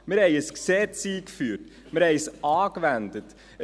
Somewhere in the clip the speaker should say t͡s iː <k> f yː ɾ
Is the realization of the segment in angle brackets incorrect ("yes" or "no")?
no